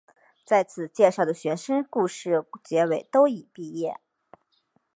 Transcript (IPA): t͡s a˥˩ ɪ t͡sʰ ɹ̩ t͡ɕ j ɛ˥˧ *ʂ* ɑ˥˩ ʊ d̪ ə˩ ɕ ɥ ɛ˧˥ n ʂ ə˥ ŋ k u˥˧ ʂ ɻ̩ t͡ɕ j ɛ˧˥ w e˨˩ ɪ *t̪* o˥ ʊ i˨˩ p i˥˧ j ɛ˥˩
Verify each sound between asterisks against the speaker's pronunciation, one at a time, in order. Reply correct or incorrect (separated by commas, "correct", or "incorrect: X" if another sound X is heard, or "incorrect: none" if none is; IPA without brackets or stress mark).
correct, correct